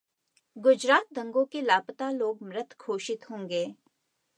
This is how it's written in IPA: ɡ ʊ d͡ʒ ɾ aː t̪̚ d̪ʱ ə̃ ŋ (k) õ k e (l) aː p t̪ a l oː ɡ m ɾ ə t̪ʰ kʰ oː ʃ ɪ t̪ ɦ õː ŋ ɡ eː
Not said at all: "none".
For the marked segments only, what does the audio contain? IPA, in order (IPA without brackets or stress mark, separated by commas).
ɡ, l